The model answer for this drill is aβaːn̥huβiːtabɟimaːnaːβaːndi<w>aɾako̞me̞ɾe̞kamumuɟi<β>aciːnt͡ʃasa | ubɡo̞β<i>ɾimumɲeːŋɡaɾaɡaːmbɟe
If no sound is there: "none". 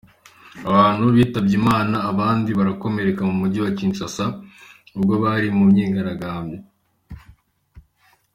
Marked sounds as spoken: β, w, a

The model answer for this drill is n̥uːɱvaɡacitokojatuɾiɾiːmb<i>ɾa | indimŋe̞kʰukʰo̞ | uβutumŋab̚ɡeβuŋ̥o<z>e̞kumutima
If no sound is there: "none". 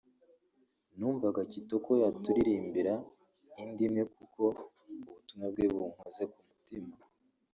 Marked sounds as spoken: i, z

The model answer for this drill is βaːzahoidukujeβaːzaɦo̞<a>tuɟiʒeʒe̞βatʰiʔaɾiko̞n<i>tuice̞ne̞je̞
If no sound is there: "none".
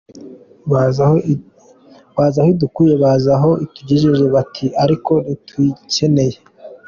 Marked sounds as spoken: i, i

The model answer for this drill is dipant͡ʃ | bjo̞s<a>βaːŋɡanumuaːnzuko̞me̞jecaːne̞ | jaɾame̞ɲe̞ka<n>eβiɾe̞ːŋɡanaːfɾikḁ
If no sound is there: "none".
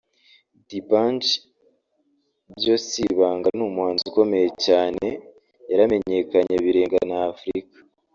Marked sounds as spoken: i, ɲ

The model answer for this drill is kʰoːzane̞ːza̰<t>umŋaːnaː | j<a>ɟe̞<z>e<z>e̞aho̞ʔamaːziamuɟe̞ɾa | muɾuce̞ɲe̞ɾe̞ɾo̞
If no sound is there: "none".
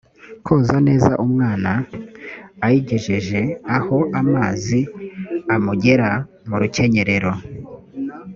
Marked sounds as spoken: ʔ, i, ʒ, ʒ

